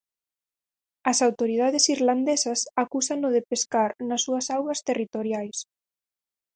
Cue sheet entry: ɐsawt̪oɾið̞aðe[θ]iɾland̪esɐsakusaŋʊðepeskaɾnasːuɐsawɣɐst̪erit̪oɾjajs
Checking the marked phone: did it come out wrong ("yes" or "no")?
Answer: yes